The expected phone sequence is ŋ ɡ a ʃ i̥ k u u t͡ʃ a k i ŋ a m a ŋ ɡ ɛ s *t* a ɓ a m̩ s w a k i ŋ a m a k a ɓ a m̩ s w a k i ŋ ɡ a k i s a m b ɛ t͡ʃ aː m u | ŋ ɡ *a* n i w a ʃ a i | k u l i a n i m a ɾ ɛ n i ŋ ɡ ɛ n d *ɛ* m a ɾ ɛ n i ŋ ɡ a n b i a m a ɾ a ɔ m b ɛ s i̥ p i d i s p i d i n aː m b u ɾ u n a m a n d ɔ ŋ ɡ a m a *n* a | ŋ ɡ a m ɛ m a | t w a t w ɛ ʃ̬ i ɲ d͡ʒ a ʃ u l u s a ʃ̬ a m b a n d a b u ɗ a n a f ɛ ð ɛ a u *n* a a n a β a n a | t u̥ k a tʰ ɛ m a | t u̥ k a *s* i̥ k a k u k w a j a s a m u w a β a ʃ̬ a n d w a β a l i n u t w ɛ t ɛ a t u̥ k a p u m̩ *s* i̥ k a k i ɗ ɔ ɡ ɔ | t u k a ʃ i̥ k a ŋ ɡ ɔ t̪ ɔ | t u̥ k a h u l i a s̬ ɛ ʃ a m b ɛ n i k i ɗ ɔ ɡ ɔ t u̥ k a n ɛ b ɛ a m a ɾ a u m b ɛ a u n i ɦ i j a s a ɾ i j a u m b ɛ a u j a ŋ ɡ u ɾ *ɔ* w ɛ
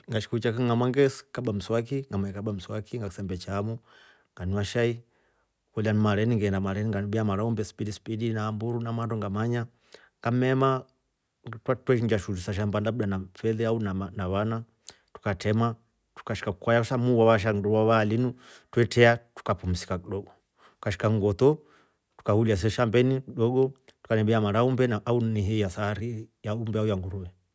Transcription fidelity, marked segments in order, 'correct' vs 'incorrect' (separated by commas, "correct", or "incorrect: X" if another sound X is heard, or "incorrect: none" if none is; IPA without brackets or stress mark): incorrect: k, correct, incorrect: a, incorrect: ɲ, correct, incorrect: ʃ, correct, incorrect: u